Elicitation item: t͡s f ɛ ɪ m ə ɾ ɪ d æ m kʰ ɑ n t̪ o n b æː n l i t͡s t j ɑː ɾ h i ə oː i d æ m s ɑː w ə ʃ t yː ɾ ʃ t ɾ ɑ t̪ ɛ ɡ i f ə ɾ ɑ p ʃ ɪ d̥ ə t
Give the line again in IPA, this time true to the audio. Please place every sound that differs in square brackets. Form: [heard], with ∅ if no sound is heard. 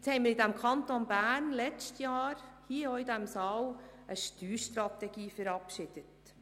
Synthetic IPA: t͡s [h] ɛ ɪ m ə ɾ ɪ d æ m kʰ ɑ n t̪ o n b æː n l [ɛ] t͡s t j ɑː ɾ h i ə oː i d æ m s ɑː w ə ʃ t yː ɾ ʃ t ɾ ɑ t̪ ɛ ɡ [iː] f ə ɾ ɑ p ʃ ɪ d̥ ə t